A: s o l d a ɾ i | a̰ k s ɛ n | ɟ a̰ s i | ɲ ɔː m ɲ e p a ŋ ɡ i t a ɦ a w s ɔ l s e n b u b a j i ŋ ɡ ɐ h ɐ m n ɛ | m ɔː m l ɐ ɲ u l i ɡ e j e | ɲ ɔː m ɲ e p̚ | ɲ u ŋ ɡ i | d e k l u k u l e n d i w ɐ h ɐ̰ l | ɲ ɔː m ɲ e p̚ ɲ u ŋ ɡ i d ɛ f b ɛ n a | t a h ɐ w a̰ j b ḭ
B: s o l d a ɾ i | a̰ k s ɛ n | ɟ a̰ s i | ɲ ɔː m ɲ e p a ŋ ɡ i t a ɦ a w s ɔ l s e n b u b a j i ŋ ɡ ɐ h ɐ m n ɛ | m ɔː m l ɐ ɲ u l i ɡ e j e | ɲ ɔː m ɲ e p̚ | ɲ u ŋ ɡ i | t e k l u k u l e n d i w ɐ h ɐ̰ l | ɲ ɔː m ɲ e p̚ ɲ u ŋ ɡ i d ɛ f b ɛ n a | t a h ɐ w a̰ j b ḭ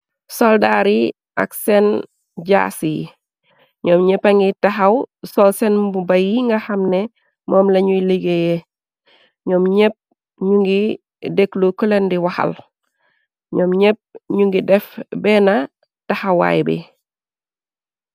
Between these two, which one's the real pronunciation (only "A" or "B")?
A